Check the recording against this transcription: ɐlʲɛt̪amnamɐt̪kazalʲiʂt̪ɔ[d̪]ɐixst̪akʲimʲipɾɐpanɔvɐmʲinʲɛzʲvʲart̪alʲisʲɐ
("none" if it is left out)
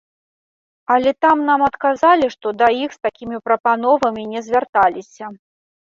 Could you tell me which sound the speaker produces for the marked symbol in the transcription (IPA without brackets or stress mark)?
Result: d̪